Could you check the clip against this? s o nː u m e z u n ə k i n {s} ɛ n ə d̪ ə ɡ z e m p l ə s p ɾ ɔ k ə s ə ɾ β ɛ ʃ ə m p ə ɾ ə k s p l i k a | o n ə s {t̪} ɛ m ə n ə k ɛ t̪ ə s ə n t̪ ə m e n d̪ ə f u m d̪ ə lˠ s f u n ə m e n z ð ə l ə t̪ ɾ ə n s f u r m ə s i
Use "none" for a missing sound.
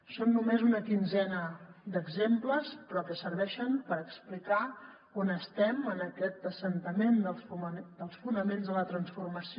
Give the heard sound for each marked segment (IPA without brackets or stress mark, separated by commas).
z, t̪